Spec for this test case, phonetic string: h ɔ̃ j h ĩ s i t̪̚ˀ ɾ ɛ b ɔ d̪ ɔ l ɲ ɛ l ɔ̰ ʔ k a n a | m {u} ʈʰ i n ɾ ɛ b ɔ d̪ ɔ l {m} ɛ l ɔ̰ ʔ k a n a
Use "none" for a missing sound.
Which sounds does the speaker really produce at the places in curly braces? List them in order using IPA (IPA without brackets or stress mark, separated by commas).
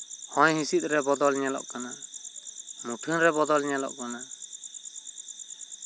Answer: u, ɲ